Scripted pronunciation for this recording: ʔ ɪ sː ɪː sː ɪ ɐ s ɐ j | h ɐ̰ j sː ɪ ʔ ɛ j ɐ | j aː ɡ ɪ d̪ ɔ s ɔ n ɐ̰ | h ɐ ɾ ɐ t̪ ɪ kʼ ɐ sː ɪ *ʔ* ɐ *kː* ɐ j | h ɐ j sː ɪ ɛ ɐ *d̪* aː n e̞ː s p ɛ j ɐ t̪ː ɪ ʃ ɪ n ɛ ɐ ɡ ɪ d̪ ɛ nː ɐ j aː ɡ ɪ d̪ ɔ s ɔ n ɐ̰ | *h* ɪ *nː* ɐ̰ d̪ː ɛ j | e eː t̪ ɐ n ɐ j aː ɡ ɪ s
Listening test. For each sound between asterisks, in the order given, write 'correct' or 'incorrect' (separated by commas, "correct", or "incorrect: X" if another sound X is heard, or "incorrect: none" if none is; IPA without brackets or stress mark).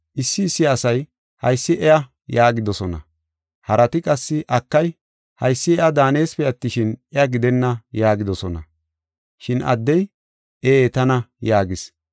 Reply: correct, correct, correct, incorrect: ʃ, incorrect: n